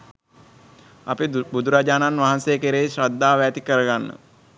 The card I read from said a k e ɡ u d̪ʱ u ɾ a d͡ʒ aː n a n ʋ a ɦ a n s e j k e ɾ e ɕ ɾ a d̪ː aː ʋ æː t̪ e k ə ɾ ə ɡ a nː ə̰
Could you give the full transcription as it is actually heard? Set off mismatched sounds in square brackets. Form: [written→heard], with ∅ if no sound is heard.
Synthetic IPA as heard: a [k→p] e [ɡ→b] u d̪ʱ u ɾ a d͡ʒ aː n a n ʋ a ɦ a n s e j k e ɾ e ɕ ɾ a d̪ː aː ʋ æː t̪ [e→i] k ə ɾ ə ɡ a nː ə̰